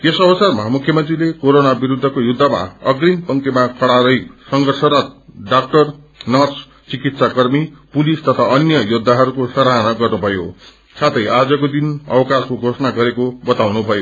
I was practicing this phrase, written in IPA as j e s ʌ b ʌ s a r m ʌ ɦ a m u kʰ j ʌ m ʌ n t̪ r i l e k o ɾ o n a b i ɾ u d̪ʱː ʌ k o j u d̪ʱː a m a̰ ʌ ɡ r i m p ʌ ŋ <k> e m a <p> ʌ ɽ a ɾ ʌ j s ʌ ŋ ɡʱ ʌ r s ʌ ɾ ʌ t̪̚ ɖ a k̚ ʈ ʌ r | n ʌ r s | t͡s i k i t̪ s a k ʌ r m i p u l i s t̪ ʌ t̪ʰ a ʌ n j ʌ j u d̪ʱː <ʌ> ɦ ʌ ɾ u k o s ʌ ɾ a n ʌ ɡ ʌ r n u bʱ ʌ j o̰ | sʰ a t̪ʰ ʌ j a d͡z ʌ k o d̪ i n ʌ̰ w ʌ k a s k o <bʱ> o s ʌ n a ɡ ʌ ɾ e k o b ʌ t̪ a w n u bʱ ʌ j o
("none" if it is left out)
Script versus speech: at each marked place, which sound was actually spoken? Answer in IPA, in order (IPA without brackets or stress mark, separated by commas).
k, k, a, ɡʱ